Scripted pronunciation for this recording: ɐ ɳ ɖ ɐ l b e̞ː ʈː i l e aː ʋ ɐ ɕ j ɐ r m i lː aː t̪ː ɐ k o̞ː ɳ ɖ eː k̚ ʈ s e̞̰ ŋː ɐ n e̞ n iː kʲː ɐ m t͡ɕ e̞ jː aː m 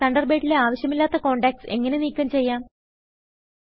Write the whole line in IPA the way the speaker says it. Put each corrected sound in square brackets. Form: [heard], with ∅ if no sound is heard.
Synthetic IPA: ɐ ɳ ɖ ɐ [r] b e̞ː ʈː i l e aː ʋ ɐ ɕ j ɐ [∅] m i lː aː t̪ː ɐ k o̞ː ɳ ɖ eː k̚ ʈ s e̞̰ ŋː ɐ n e̞ n iː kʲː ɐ m t͡ɕ e̞ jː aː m